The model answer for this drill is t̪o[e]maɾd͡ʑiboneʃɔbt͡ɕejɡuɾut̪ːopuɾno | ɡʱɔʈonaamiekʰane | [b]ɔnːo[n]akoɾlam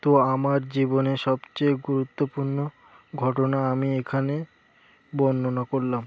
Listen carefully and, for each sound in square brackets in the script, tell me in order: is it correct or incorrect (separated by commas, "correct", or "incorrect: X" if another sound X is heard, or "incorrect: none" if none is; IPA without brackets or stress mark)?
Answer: incorrect: a, correct, correct